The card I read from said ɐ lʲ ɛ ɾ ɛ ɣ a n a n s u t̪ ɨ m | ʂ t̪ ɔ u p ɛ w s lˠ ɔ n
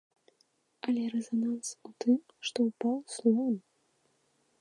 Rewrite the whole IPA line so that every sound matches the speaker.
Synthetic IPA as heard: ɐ lʲ ɛ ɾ ɛ z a n a n s u t̪ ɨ m | ʂ t̪ ɔ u p a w s lˠ ɔ n